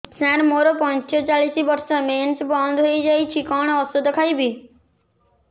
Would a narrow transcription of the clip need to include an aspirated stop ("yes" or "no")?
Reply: yes